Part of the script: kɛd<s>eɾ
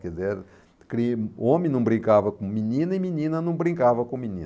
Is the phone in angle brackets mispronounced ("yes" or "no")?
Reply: yes